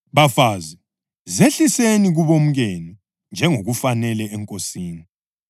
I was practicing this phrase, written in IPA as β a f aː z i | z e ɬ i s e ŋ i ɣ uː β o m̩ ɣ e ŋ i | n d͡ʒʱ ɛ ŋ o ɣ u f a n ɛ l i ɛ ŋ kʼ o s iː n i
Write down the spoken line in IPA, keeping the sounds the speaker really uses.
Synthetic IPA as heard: β a f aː z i | z e ɬ i s e n i ɣ u β o m̩ ɣ e n i | n d͡ʒʱ ɛ ŋ o ɣ u f a n ɛ l ɛ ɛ ŋ kʼ o s iː n i